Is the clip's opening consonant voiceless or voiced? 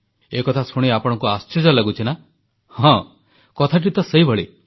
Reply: voiceless